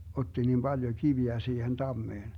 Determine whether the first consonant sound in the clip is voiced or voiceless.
voiceless